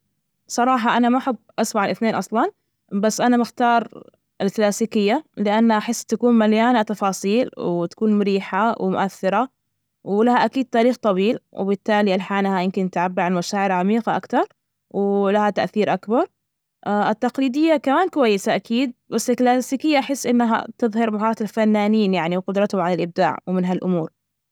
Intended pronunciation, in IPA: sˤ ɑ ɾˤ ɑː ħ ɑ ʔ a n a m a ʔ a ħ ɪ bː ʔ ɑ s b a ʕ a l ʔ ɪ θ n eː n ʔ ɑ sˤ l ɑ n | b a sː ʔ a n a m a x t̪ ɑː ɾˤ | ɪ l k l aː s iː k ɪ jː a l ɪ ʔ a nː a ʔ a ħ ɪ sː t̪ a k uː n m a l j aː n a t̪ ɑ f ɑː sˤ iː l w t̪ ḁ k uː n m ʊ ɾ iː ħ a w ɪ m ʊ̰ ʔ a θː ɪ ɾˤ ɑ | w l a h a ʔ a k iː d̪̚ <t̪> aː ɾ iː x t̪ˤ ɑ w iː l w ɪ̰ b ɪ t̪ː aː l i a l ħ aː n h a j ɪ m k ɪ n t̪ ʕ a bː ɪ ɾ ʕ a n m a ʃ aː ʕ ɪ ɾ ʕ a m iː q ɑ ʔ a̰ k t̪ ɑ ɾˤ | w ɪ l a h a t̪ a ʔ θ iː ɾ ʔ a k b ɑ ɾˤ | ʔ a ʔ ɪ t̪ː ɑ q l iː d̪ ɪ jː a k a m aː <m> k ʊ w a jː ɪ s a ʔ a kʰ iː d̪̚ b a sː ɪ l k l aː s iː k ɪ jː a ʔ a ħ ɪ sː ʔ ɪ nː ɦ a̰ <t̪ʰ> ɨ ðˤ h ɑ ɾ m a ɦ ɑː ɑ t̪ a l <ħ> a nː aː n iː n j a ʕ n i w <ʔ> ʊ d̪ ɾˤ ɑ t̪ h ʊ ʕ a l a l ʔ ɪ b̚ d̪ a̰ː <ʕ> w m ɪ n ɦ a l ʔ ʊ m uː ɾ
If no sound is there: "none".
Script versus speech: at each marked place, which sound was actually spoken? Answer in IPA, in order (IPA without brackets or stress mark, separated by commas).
t̪, n, t̪, f, q, ʕ